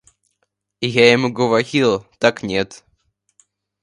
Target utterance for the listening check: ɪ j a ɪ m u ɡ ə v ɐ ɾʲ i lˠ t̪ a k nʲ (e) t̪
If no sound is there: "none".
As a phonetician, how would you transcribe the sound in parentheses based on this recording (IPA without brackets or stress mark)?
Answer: e